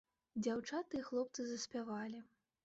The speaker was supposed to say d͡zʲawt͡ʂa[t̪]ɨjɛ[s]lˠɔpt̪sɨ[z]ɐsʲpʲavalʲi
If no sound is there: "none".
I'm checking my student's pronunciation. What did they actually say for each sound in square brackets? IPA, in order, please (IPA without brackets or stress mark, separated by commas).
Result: t̪, x, z